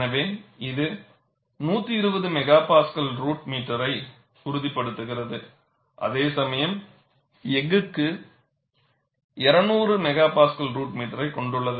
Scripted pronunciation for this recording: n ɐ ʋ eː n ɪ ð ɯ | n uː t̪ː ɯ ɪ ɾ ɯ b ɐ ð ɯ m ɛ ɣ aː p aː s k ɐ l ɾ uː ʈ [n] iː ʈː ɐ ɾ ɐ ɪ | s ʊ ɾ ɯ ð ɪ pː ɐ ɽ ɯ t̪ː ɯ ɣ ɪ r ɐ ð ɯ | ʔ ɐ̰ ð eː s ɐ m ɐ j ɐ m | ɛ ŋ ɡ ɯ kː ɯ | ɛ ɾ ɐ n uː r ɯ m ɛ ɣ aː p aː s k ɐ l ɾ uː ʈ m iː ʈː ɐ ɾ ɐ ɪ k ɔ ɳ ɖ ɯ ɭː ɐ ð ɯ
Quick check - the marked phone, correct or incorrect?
incorrect